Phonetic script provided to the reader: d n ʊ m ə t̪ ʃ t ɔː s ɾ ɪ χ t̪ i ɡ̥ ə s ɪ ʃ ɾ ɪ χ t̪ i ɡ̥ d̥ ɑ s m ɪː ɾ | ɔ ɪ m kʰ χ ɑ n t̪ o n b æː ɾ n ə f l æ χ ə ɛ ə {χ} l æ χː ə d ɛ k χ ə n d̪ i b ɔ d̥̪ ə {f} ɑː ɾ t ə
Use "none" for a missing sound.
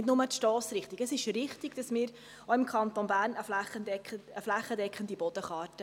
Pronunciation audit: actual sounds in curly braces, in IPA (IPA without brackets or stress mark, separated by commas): f, χ